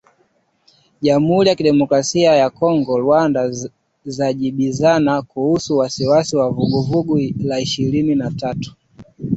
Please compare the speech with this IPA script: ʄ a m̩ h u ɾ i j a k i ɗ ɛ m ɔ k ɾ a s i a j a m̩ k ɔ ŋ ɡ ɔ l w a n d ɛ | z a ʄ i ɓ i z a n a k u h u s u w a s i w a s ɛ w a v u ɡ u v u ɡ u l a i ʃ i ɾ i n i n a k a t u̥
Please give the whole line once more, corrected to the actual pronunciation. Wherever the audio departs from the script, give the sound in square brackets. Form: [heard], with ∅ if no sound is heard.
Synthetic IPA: ʄ a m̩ h u ɾ i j a k i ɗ ɛ m ɔ k ɾ a s i a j a [∅] k ɔ ŋ ɡ ɔ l w a n d [a] | z a ʄ i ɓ i z a n a k u h u s u w a s i w a s [i] w a v u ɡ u v u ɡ u l a i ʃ i ɾ i n i n a [t] a t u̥